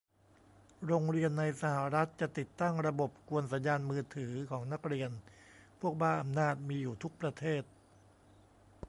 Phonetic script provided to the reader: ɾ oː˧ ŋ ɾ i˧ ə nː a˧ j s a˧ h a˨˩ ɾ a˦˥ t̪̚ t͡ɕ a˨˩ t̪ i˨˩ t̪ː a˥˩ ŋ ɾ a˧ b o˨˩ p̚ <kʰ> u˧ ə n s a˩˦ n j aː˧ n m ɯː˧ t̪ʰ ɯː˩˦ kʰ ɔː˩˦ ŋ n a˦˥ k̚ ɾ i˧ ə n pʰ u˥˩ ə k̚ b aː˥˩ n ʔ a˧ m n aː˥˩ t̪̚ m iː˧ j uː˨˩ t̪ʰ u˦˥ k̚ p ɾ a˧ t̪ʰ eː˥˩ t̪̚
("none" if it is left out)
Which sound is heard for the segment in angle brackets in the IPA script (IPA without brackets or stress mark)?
k